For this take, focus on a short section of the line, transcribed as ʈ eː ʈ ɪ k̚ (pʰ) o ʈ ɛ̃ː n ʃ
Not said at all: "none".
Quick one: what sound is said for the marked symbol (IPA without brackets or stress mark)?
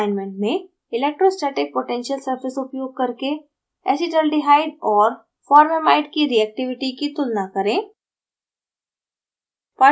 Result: p